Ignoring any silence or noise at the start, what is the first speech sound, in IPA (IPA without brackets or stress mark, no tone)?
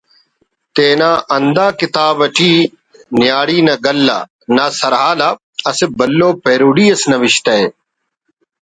t̪